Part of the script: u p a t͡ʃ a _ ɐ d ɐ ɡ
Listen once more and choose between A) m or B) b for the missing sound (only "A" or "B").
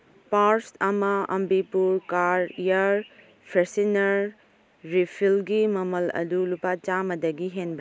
A